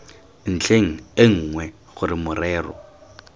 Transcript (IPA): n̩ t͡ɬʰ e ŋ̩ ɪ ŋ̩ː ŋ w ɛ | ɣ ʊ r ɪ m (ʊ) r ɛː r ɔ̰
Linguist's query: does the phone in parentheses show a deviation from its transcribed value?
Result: no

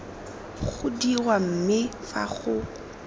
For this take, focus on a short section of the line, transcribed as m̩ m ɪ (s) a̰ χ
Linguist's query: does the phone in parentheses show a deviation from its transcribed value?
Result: yes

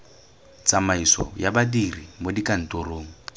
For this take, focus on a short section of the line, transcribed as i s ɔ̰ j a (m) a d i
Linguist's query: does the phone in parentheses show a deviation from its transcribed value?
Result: yes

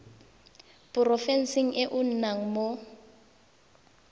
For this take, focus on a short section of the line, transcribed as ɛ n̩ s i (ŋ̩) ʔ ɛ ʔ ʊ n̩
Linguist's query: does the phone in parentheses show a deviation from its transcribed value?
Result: no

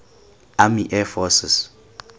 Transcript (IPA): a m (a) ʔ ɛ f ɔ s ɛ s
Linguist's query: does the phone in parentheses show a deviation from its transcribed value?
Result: yes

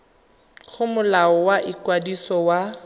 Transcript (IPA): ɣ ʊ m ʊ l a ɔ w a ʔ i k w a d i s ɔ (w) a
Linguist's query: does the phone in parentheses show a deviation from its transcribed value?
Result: no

